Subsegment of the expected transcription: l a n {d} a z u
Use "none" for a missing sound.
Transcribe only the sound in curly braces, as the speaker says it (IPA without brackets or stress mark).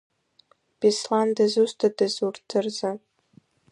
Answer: d